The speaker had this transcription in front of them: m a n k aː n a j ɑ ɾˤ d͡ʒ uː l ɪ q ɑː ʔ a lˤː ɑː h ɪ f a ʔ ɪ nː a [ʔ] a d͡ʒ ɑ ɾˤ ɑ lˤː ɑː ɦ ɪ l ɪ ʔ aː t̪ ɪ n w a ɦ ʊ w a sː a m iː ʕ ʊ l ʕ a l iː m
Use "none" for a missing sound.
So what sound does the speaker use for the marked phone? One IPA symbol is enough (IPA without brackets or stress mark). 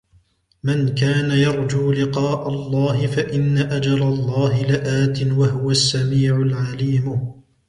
ʔ